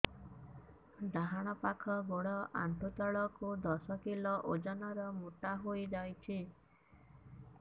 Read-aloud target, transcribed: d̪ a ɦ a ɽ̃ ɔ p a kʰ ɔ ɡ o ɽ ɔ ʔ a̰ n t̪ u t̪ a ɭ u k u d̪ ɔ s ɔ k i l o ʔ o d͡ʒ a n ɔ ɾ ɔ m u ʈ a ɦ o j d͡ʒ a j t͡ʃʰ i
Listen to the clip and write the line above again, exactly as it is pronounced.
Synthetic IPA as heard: d̪ a ɦ a ɽ̃ ɔ p a kʰ ɔ ɡ o ɽ ɔ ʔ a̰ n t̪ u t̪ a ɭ ɔ k u d̪ ɔ s ɔ k i l ɔ ʔ o d͡ʒ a n ɔ ɾ ɔ m u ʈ a ɦ o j d͡ʒ a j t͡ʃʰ i